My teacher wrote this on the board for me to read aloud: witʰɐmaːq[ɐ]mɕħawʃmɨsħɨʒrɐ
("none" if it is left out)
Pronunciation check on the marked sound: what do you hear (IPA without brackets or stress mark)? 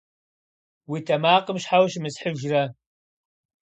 ə